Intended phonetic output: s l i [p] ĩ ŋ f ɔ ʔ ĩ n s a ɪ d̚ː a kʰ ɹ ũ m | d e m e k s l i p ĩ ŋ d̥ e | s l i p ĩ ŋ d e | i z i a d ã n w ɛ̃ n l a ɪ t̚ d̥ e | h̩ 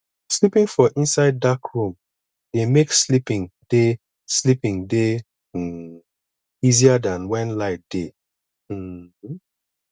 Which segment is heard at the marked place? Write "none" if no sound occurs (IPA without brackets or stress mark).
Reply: p